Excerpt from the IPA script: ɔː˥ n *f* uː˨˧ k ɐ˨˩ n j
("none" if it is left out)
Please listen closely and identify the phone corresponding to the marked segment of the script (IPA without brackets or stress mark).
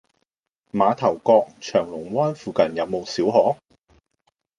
f